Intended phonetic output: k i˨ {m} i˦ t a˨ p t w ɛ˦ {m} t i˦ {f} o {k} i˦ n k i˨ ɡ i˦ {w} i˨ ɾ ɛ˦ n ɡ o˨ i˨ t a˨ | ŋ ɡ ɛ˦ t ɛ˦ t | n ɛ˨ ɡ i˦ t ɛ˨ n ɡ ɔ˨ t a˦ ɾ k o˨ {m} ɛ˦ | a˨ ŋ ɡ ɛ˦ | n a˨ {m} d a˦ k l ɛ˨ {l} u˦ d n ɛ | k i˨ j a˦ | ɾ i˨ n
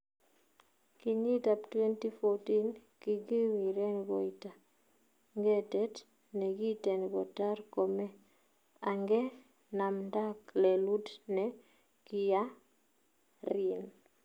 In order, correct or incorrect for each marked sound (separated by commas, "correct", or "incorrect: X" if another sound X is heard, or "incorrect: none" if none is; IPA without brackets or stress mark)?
incorrect: ɲ, incorrect: n, correct, incorrect: t, correct, correct, correct, correct